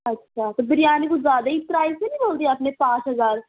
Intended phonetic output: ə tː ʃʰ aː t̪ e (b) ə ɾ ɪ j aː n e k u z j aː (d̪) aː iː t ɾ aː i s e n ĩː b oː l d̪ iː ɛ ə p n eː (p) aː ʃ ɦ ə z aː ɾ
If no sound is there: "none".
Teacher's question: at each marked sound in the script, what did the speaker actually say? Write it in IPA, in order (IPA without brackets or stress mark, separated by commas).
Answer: b, d̪, p